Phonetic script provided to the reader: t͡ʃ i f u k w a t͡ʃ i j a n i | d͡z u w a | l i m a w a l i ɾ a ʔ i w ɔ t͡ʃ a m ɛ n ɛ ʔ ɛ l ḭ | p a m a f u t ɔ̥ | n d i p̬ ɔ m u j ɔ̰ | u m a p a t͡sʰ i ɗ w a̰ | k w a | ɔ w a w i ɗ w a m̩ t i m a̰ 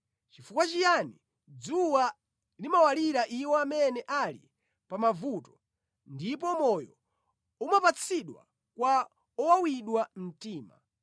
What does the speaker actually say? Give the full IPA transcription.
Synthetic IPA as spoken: t͡ʃ i f u k w a t͡ʃ i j a n i | d͡z u w a | l i m a w a l i ɾ a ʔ i w ɔ a m ɛ n ɛ ʔ a l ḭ | p a m a v u t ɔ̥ | n d i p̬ ɔ m ɔ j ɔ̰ | u m a p a t͡sʰ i ɗ w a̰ | k w a | ɔ w a w i ɗ w a m̩ t iː m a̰